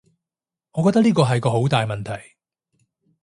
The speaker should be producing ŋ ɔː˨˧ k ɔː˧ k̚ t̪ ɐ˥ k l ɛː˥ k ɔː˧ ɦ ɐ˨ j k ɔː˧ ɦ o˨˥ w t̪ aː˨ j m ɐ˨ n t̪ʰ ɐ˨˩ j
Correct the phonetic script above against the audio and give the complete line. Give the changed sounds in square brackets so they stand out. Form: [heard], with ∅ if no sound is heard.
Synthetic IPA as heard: ŋ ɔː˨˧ k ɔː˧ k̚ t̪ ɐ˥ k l [iː˥] k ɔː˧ ɦ ɐ˨ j k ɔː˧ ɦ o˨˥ w t̪ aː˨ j m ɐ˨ n t̪ʰ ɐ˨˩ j